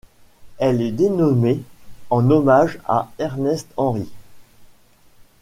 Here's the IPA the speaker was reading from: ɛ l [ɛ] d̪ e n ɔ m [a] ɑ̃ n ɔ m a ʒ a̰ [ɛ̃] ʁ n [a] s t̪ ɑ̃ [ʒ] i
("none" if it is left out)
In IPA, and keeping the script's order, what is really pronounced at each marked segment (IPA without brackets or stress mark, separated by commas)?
ɛ, e, ɛ, ɛ, ʁ